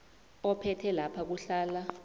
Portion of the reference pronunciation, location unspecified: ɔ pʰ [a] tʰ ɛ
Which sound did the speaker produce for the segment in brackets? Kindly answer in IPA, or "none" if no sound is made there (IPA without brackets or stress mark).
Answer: ɛ